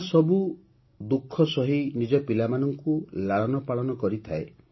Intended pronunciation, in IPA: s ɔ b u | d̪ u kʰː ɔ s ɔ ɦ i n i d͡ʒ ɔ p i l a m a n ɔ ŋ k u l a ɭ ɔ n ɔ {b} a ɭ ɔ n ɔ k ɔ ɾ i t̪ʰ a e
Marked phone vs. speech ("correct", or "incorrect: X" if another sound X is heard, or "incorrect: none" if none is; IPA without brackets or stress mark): incorrect: p